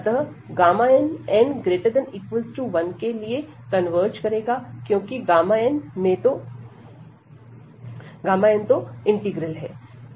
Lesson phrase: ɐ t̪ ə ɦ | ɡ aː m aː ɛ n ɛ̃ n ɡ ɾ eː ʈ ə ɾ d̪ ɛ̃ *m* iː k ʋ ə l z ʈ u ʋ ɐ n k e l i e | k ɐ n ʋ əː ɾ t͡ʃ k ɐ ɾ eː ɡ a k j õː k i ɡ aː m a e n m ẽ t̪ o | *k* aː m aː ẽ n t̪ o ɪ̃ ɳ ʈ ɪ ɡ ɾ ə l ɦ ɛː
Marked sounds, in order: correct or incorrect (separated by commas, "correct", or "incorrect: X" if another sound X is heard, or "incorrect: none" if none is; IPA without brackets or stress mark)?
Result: incorrect: n, incorrect: ɡ